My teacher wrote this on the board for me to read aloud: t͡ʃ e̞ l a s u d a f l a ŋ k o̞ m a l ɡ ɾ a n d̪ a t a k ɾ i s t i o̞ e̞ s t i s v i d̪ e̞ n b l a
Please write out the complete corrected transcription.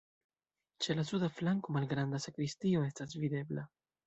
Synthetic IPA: t͡ʃ e̞ l a s u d a f l a ŋ k o̞ m a l ɡ ɾ a n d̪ a s a k ɾ i s t i o̞ e̞ s t a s v i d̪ e̞ b l a